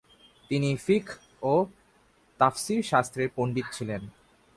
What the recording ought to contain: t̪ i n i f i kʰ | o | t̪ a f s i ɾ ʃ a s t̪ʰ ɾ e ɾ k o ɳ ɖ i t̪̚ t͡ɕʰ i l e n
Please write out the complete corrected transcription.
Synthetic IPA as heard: t̪ i n i f i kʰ | o | t̪ a f s i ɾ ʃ a s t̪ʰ ɾ e ɾ p o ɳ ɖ i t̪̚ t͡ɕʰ i l e n